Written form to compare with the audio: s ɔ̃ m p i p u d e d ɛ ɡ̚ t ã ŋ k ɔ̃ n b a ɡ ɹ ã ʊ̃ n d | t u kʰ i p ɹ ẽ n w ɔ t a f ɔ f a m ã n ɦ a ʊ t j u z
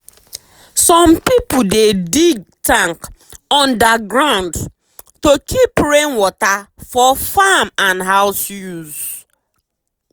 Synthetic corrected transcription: s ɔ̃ m p i p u d e d i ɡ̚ t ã ŋ k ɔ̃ n d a ɡ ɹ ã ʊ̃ n d | t o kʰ i p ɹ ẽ n w ɔ t a f ɔ f a m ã n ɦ a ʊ s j u z